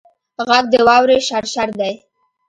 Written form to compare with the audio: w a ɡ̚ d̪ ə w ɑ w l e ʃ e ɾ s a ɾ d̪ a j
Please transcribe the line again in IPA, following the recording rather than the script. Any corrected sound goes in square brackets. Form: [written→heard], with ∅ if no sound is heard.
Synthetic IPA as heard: [w→ɣ] a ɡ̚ d̪ ə w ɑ w [l→ɾ] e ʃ [e→a] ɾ [s→ʃ] a ɾ d̪ a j